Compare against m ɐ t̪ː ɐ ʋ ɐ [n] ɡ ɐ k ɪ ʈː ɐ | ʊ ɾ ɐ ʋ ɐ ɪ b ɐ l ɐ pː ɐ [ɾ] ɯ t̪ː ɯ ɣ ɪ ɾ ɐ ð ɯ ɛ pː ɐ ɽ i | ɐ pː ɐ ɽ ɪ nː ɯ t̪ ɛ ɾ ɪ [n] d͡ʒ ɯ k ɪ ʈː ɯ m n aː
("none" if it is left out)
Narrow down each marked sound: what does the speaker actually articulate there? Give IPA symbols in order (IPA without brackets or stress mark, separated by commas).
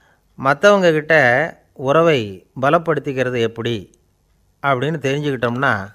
ŋ, ɽ, ɲ